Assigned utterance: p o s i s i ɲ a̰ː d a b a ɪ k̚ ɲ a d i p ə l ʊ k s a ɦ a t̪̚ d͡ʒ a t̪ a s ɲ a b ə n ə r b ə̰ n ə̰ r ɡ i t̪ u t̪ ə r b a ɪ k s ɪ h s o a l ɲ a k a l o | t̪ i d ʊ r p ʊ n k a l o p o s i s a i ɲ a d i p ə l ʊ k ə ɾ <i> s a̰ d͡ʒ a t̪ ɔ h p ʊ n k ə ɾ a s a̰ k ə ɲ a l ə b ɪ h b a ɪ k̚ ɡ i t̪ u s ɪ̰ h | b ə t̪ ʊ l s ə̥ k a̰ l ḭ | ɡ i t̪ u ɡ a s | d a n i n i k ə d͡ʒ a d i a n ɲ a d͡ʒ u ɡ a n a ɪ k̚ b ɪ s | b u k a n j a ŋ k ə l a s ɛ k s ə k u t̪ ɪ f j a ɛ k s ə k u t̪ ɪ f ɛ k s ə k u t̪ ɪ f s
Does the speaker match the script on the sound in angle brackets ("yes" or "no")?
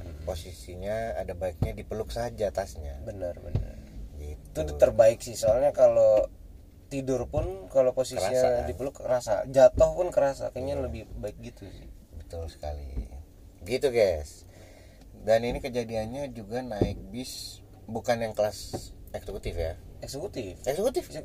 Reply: no